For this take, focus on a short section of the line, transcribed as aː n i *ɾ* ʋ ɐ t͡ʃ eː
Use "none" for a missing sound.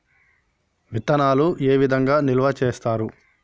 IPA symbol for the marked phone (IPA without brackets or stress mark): l